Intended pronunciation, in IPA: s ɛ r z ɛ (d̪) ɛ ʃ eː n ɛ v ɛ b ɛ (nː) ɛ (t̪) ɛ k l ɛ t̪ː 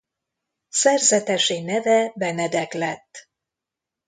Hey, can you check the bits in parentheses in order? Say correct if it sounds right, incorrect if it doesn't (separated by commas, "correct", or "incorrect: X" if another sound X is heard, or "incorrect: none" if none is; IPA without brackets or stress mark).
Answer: incorrect: t̪, incorrect: n, incorrect: d̪